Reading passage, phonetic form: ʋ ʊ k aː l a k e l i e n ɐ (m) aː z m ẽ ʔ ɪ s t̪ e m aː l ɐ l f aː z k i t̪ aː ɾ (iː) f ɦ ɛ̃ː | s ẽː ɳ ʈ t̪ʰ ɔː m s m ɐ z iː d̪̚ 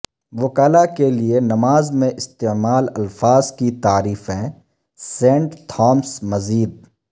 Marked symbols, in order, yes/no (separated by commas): yes, yes